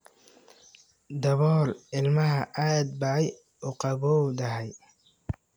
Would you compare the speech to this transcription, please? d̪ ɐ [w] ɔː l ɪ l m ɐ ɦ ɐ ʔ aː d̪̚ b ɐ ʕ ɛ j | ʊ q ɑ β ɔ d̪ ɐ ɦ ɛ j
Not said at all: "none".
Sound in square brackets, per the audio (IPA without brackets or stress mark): β